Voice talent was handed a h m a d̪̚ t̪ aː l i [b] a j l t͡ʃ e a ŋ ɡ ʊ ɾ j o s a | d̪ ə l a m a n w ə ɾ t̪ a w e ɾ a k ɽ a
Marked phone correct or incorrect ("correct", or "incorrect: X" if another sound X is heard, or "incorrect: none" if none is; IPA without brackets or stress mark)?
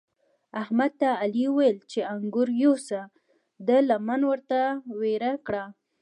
incorrect: w